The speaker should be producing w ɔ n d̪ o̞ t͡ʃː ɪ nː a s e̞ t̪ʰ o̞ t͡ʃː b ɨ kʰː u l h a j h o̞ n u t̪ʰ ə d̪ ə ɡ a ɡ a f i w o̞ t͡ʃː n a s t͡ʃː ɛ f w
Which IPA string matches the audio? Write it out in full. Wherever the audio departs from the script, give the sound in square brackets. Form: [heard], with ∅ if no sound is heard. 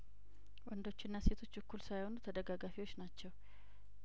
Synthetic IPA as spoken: w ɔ n d̪ o̞ t͡ʃː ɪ nː a s e̞ t̪ʰ o̞ t͡ʃː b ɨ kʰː u l [s] a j h o̞ n u t̪ʰ ə d̪ ə ɡ a ɡ a f i w o̞ t͡ʃː n a [∅] t͡ʃː ɛ [∅] w